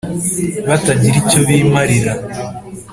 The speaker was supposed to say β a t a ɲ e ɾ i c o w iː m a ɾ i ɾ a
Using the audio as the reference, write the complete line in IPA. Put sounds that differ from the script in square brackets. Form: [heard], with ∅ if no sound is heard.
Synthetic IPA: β a t a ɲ [i] ɾ i c o [β] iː m a ɾ i ɾ a